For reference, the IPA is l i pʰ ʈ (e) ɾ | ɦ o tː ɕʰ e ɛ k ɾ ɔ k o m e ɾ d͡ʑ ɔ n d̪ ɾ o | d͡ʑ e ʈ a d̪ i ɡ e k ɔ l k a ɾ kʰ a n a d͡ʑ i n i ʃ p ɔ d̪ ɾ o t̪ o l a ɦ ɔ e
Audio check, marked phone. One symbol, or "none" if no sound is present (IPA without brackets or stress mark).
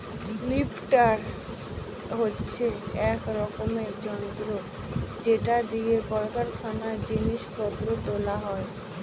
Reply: a